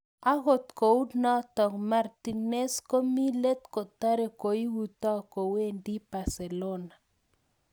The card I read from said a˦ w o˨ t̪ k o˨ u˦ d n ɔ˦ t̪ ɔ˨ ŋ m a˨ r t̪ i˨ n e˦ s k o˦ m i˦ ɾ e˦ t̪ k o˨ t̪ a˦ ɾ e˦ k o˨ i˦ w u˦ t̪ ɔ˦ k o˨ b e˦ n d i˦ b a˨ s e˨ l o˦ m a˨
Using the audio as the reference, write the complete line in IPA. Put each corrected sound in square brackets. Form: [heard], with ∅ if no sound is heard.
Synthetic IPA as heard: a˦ [ɣ] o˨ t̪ k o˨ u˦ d n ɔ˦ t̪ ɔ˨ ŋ m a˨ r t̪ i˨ n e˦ s k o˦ m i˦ [l] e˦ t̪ k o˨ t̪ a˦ ɾ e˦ k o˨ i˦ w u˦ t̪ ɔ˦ k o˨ [w] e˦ n d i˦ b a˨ s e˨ l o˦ [n] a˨

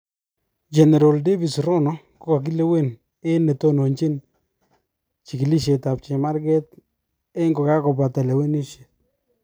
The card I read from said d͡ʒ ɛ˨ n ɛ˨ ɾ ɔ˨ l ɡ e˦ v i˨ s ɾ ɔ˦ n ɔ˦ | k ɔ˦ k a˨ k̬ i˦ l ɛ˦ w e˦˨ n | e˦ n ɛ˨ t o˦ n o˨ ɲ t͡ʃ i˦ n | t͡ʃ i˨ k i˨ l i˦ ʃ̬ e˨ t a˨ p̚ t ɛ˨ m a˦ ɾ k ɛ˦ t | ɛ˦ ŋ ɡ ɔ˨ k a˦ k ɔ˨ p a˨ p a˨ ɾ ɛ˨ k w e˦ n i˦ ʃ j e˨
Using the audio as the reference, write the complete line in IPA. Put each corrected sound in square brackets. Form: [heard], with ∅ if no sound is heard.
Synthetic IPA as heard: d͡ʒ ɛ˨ n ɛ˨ ɾ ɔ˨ l [d] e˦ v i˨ s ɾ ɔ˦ n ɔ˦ | k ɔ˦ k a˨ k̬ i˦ l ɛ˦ w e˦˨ n | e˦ n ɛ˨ t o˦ n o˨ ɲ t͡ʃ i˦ n | t͡ʃ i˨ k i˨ l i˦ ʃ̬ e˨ t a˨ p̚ [t͡ʃ] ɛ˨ m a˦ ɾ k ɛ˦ t | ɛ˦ ŋ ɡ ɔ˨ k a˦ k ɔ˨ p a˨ [t] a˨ [l] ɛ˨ [∅] w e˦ n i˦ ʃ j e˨

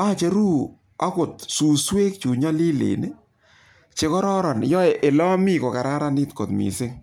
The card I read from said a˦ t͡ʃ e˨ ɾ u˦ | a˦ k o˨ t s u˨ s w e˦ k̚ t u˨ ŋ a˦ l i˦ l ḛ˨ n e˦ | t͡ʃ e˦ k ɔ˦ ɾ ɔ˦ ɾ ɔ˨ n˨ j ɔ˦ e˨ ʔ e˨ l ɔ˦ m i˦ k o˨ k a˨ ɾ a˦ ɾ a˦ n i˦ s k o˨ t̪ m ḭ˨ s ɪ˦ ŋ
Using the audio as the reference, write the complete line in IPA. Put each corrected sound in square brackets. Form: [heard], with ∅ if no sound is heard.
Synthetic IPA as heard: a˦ t͡ʃ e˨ ɾ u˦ | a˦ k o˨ t s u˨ s w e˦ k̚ [t͡ʃ] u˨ [ɲ] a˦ l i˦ l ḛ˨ n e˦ | t͡ʃ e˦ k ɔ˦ ɾ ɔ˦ ɾ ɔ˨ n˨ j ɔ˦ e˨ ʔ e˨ l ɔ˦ m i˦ k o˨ k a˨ ɾ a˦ ɾ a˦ n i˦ [t] k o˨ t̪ m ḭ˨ s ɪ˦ ŋ

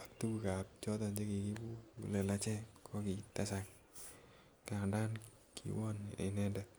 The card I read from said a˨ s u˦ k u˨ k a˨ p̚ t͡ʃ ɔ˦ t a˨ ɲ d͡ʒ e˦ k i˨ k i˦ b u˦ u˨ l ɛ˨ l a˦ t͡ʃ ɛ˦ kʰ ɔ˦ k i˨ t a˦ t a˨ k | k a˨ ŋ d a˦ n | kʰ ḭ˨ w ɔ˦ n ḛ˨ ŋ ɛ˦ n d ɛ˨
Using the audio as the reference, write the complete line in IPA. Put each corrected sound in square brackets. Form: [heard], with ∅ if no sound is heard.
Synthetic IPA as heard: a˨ [t] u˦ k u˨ k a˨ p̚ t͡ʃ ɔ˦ t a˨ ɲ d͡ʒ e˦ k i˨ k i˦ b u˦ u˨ l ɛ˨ l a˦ t͡ʃ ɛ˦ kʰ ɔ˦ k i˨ t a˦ [s] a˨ k | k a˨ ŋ d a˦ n | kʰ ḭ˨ w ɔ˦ n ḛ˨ [n] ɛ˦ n d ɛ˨

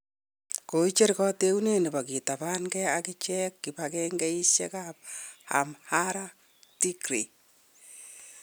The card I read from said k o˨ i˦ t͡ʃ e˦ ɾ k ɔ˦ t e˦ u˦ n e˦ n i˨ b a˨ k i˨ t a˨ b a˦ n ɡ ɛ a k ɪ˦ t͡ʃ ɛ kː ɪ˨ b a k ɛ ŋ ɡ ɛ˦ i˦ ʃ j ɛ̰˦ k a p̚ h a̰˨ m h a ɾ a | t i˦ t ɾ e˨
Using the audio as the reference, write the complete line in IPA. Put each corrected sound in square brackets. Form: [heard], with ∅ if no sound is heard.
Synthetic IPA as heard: k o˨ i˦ t͡ʃ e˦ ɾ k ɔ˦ t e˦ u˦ n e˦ n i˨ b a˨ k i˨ t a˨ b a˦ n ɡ ɛ a k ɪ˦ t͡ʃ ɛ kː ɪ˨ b a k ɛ ŋ ɡ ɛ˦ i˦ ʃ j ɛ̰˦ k a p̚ h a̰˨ m h a ɾ a | t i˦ [k] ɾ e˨

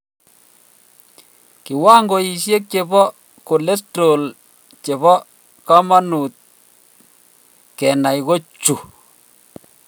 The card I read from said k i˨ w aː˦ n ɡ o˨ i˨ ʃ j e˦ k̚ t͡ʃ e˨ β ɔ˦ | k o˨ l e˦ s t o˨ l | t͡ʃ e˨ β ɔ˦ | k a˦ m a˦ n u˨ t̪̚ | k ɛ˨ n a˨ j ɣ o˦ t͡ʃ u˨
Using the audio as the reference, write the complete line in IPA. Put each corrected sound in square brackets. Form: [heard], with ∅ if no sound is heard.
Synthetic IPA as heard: k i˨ w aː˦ [ŋ] ɡ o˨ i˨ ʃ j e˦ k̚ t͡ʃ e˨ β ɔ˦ | k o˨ l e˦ s t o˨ l | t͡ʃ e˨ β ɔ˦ | k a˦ m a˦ n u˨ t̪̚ | k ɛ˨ n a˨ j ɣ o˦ t͡ʃ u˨

